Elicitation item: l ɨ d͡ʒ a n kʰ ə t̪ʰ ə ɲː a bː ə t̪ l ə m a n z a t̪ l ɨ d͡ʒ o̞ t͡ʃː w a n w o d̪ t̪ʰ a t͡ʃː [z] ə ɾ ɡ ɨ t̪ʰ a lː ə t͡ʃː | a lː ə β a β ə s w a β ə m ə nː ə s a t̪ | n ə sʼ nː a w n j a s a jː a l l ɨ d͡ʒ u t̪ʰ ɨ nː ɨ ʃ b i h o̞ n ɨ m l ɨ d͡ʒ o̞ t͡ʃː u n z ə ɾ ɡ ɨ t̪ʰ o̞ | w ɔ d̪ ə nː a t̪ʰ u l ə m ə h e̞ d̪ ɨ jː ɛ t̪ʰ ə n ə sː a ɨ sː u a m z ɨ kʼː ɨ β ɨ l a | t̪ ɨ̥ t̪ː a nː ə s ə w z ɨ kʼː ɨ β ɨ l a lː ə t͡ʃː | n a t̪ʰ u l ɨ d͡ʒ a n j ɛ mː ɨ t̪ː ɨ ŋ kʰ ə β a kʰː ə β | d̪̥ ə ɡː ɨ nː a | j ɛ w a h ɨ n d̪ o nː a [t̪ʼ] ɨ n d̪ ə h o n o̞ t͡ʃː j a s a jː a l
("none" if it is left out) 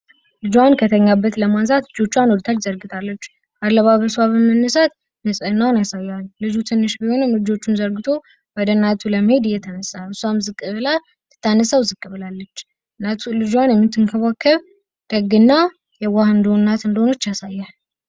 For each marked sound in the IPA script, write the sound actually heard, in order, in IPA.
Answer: z, t̪

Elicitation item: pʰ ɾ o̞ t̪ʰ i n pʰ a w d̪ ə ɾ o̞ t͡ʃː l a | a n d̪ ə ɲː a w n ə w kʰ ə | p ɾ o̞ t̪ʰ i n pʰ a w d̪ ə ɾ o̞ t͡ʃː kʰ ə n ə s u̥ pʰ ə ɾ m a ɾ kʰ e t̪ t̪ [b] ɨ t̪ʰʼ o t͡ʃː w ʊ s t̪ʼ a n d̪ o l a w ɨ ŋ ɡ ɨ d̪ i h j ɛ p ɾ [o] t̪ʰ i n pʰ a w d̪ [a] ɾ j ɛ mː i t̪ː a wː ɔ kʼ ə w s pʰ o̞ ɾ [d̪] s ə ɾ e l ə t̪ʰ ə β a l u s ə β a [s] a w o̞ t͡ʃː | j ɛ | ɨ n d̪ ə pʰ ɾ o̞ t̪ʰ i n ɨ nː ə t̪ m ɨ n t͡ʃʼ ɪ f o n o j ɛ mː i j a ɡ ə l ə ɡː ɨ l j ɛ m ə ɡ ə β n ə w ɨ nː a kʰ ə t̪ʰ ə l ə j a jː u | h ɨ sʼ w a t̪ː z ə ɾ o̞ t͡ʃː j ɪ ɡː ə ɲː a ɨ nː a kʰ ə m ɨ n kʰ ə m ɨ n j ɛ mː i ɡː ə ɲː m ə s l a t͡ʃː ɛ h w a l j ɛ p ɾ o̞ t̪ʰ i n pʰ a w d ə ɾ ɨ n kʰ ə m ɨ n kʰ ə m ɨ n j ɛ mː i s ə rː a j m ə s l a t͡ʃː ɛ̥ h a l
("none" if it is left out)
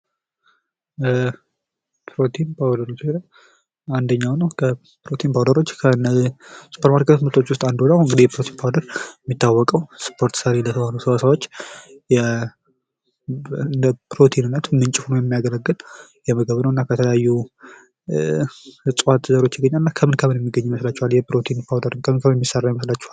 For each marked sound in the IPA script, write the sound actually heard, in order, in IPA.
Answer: m, o, ə, t̪, s

